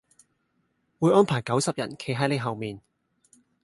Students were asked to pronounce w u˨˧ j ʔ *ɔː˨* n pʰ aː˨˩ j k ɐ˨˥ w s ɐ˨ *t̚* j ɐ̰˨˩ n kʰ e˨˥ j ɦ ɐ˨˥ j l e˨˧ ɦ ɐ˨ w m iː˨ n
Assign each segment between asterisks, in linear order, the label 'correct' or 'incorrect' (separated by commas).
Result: incorrect, incorrect